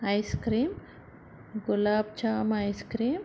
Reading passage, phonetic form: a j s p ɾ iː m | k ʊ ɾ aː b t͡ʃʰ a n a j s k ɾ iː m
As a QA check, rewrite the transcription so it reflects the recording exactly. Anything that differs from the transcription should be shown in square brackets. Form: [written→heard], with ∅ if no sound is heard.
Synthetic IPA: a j s [p→k] ɾ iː m | [k→ɡ] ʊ [ɾ→l] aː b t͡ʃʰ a [n→m] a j s k ɾ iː m